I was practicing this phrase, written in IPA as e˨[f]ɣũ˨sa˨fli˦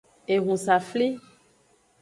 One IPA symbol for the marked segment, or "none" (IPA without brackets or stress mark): none